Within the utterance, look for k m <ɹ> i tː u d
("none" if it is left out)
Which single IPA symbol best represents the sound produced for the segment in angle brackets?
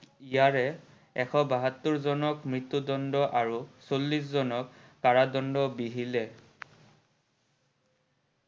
ɹ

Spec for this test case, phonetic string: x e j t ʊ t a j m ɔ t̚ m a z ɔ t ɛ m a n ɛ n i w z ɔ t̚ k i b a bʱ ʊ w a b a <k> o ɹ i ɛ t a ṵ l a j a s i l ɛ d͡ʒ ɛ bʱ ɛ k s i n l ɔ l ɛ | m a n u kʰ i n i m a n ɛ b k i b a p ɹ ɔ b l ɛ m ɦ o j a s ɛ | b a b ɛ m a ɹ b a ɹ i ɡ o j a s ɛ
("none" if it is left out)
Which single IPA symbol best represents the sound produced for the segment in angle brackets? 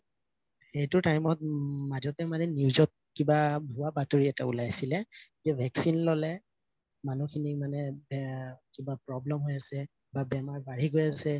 t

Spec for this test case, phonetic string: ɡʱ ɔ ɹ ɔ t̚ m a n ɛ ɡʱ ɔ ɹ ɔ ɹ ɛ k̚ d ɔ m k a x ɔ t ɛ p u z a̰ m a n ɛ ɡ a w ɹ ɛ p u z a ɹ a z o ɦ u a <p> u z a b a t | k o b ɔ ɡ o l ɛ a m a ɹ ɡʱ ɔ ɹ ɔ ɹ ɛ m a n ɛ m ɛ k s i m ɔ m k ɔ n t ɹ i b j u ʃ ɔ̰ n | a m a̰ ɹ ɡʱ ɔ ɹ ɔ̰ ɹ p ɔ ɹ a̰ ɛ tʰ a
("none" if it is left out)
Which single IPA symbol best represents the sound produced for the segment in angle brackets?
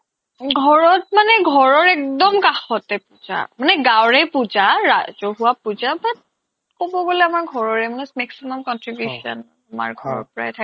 p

